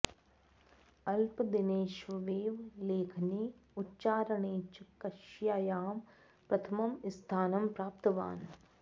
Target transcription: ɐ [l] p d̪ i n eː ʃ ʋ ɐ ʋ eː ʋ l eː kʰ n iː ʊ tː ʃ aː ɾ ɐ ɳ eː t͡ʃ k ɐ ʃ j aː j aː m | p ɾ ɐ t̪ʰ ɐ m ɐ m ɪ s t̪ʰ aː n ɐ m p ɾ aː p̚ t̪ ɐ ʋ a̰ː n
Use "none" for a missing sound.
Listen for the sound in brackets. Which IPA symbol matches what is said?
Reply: l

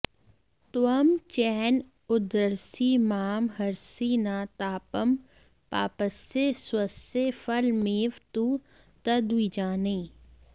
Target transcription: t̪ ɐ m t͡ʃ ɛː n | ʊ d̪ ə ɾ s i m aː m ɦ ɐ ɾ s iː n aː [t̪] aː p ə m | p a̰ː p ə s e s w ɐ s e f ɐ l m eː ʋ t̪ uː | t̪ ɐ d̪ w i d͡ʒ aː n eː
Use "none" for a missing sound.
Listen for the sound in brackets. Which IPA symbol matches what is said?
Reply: t̪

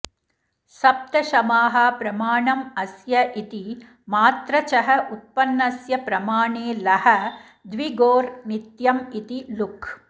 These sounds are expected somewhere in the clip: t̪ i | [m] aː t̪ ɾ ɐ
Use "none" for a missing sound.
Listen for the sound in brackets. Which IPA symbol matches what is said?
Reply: m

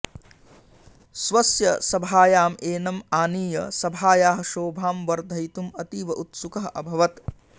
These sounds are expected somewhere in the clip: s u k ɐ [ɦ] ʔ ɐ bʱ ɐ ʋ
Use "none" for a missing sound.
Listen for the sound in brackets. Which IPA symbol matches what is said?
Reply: ɦ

